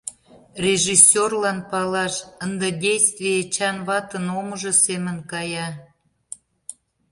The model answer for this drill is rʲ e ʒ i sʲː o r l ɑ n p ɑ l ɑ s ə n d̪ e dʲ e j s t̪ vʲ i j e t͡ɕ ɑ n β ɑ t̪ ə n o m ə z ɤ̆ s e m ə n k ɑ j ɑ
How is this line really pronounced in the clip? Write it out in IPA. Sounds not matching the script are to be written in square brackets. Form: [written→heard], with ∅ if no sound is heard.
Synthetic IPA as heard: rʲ e ʒ i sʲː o r l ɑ n p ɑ l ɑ [s→ʃ] ə n d̪ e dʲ e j s t̪ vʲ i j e t͡ɕ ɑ n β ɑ t̪ ə n o m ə [z→ʒ] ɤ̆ s e m ə n k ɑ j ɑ